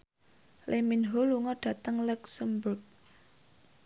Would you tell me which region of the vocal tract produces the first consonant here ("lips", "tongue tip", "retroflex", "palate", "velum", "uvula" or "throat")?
tongue tip